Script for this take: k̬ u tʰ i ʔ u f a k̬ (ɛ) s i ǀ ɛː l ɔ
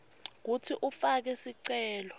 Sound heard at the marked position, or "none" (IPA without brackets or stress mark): ɛ